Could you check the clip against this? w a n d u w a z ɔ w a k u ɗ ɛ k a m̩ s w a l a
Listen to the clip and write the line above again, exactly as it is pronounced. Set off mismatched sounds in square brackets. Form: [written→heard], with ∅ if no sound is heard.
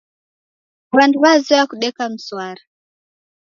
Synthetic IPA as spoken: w a n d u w a z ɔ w a k u ɗ ɛ k a m̩ s w a [l→ɾ] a